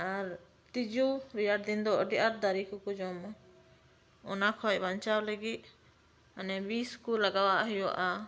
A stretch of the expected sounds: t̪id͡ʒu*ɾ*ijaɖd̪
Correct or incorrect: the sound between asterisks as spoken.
correct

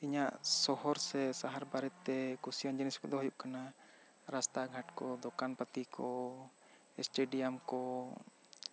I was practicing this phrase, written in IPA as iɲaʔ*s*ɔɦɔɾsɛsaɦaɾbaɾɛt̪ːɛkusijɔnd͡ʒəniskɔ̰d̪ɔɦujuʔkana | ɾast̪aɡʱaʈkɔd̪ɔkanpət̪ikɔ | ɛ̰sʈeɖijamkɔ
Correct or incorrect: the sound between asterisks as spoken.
correct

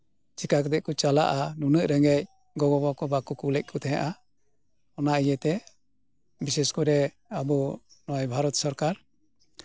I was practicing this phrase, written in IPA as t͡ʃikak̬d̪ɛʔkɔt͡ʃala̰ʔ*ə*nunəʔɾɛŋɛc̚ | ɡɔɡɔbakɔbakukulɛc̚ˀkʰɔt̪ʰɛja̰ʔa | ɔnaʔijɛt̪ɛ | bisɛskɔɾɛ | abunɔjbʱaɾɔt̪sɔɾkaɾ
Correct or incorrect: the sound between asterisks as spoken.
incorrect: a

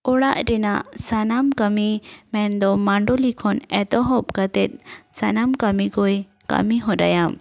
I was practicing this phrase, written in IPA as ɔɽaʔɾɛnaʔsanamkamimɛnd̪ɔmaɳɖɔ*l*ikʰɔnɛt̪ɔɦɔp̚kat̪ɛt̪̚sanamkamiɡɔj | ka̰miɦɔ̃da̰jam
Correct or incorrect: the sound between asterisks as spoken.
correct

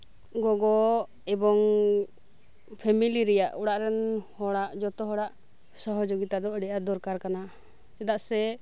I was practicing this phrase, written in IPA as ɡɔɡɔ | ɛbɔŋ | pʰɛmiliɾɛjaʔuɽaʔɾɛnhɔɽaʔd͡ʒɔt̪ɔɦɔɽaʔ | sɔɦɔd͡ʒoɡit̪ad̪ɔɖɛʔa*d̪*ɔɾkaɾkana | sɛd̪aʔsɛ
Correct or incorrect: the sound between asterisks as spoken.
correct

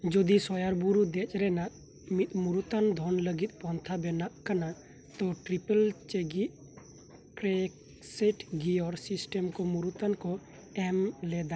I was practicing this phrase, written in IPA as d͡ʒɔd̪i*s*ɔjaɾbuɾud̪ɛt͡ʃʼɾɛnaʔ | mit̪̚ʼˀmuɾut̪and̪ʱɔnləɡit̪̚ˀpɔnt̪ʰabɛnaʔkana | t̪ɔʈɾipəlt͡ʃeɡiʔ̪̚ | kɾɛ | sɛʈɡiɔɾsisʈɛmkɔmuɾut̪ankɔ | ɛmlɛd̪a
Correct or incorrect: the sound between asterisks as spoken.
correct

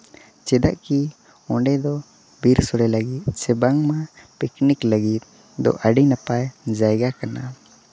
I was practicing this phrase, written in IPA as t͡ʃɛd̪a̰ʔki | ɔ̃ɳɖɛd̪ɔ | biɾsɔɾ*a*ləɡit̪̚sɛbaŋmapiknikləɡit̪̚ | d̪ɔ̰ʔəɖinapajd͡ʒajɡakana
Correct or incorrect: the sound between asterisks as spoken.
incorrect: ɛ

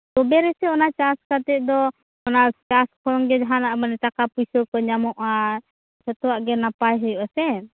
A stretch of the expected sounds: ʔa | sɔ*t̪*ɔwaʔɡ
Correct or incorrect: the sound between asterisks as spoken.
correct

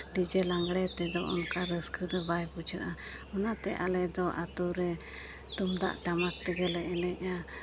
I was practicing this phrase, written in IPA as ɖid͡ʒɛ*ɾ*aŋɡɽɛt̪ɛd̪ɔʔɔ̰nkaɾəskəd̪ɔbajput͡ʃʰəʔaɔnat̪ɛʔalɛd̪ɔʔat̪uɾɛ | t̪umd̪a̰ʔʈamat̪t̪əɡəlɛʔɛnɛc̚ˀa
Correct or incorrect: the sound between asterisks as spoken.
incorrect: l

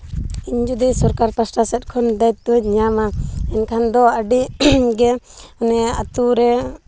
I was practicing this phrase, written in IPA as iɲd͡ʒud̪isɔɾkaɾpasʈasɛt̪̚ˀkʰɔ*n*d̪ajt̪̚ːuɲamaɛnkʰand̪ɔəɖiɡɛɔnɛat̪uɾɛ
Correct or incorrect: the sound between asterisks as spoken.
correct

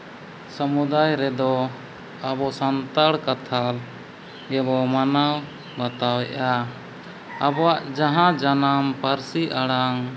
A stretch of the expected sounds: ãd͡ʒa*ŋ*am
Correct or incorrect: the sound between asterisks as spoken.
incorrect: n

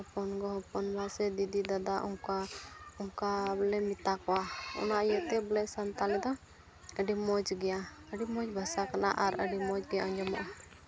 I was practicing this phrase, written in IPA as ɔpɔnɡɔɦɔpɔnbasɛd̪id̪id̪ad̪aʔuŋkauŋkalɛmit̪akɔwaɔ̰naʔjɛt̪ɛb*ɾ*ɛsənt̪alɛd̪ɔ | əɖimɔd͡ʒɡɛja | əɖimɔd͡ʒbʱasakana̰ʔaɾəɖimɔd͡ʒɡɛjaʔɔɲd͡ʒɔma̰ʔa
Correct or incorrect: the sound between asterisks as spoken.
incorrect: l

